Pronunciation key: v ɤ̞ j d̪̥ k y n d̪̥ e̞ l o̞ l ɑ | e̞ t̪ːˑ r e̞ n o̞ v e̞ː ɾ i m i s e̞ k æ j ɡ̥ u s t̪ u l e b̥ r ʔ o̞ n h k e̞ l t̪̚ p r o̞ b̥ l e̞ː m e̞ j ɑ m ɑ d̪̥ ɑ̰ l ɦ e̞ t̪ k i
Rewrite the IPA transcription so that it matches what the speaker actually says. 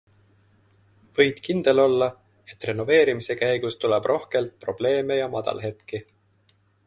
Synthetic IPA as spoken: v ɤ̞ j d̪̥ k i n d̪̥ e̞ l o̞ lː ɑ | e̞ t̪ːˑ r e̞ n o̞ v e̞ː ɾ i m i s e̞ k æ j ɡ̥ u s t̪ u l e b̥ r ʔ o̞ h k e̞ l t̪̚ p r o̞ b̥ l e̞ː m e̞ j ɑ m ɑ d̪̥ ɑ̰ l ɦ e̞ t̪ k i